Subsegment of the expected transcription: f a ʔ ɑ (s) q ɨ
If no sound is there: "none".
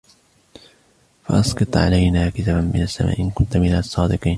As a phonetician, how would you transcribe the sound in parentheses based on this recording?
s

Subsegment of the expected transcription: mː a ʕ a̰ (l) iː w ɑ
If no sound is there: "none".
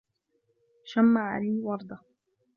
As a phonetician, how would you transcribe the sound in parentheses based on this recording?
l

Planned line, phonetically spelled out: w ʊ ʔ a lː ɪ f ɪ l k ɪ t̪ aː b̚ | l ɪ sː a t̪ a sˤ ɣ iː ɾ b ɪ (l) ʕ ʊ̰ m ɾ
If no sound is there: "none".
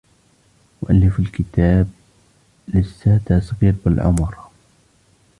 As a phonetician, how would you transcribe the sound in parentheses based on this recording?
l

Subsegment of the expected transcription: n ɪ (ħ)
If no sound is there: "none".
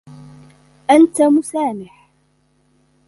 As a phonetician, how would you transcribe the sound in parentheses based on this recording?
ħ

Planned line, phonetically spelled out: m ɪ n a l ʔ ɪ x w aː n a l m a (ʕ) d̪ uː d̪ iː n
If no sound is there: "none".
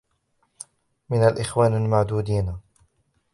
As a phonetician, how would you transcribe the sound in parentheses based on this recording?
ʕ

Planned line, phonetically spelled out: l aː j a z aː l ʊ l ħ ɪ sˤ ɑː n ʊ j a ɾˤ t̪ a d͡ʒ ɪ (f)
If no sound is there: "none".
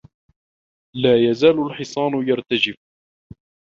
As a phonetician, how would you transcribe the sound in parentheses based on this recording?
f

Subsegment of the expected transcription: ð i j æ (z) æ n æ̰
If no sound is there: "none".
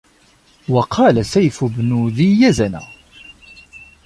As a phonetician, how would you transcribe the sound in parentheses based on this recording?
z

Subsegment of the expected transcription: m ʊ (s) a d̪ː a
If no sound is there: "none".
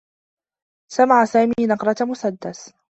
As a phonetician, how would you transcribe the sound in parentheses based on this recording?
s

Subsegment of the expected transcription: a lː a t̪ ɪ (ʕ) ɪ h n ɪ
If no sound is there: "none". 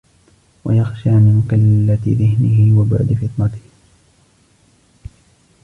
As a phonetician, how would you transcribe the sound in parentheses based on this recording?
ð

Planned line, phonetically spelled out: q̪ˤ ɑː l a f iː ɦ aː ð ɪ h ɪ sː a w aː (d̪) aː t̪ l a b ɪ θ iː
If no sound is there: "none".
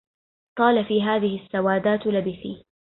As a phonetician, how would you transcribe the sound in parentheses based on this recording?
d̪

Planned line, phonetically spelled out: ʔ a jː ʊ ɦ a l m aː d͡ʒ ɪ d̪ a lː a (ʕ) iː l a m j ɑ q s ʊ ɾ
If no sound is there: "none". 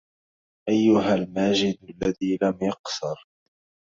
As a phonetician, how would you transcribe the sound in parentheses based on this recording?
ð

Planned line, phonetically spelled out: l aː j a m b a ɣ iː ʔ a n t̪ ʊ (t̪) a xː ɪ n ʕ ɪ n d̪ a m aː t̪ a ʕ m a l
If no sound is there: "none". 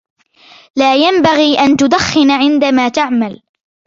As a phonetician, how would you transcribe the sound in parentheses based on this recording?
d̪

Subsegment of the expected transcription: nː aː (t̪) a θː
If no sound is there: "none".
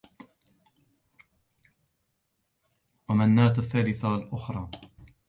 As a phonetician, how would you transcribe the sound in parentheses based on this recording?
t̪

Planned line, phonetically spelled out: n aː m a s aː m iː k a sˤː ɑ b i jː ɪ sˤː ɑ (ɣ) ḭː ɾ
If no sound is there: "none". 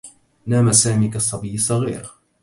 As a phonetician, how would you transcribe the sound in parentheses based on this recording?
ɣ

